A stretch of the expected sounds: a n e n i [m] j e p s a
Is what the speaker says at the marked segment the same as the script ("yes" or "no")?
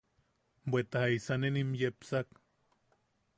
yes